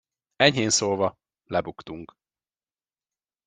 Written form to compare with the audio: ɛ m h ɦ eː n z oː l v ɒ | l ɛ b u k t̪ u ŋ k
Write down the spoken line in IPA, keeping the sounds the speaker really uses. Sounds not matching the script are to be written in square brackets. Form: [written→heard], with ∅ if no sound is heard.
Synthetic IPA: ɛ [m→ɲ] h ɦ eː n [z→s] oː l v ɒ | l ɛ b u k t̪ u ŋ k